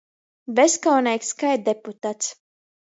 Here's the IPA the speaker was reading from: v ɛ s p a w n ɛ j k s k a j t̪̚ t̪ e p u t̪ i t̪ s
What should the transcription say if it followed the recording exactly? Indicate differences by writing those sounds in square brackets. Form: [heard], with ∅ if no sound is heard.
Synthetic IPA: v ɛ s [k] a w n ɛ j k s k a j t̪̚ [d̪] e p u t̪ [a] t̪ s